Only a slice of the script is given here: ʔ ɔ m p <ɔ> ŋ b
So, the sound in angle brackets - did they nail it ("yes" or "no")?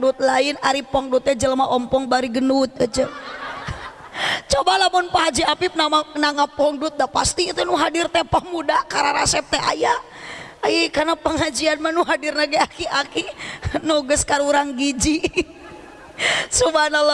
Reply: yes